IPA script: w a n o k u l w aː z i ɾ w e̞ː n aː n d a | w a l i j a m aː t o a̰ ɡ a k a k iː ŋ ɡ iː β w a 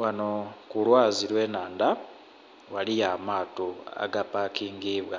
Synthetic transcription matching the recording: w a n o k u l w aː z i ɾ w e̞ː n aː n d a | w a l i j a m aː t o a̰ ɡ a p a k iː ŋ ɡ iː β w a